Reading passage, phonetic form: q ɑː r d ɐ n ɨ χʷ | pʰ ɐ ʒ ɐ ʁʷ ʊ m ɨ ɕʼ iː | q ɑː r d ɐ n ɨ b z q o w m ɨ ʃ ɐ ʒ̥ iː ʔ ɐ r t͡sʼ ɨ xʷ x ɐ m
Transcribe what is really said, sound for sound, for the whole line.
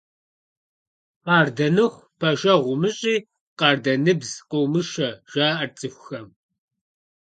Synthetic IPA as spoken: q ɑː r d ɐ n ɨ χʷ | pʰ ɐ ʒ ɐ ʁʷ ʊ m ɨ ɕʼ iː | q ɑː r d ɐ n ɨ b z q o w m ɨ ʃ ɐ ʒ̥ aː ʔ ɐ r t͡sʼ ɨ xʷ x ɐ m